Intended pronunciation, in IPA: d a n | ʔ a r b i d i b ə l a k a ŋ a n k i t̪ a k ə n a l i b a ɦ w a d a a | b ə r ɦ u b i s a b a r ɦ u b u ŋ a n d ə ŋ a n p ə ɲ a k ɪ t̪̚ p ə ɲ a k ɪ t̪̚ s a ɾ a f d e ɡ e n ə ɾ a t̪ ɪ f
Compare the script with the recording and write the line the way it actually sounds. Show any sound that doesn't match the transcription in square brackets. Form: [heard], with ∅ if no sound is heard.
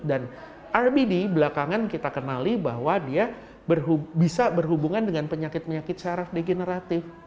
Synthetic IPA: d a n | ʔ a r b i d i b ə l a k a ŋ a n k i t̪ a k ə n a l i b a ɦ w a d [i] a | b ə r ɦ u b i s a b [ə] r ɦ u b u ŋ a n d ə ŋ a n p ə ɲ a k ɪ t̪̚ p ə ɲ a k ɪ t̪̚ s a ɾ a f d e ɡ e n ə ɾ a t̪ ɪ f